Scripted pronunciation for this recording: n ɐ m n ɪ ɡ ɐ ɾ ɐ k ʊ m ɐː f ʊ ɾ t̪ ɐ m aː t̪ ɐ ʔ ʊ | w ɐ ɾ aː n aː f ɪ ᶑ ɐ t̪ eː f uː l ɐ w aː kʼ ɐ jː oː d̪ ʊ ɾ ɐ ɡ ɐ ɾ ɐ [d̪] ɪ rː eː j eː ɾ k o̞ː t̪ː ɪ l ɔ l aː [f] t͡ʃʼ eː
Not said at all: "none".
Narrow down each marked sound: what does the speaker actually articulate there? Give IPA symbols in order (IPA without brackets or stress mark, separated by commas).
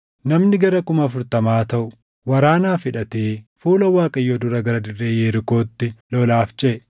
d̪, f